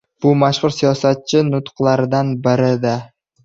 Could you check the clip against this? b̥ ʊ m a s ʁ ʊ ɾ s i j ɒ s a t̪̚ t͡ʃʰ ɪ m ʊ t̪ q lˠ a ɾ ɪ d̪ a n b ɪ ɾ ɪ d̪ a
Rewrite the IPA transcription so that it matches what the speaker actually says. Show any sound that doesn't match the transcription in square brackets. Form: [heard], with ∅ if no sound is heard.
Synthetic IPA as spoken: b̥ ʊ m a [ʃ] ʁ ʊ ɾ s i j ɒ s a t̪̚ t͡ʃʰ ɪ [n] ʊ t̪ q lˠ a ɾ ɪ d̪ a n b ɪ ɾ ɪ d̪ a